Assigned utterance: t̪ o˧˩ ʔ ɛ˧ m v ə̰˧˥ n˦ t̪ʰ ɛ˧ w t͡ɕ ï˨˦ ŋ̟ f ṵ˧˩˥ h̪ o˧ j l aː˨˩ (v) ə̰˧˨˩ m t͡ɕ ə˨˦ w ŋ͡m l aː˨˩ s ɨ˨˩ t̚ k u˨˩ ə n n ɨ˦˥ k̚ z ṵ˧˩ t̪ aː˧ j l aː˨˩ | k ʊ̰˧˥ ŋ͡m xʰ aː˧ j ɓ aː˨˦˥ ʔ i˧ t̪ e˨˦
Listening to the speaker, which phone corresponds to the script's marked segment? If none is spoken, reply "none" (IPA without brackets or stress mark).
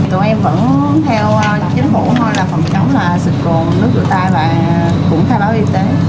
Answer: f